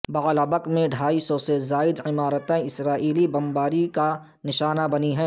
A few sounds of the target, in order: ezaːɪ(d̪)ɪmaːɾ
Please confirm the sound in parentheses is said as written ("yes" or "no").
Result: yes